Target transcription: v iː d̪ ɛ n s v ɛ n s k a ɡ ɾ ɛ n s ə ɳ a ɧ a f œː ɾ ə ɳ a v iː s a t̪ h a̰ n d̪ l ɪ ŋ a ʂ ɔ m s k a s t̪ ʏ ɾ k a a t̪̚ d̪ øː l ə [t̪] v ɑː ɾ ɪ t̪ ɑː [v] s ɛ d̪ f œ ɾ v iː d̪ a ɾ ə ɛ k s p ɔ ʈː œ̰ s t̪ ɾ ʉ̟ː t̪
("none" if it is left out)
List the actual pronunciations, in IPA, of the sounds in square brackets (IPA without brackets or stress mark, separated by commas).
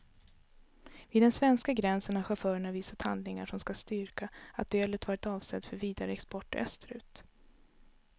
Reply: t̪, v